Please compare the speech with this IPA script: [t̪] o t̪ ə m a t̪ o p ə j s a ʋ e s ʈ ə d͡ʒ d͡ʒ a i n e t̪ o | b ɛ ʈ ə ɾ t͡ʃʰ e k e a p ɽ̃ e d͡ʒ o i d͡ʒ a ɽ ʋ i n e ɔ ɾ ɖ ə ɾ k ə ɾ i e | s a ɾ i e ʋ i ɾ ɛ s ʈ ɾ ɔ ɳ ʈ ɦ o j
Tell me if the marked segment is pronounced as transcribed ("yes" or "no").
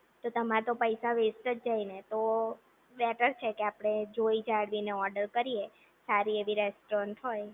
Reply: yes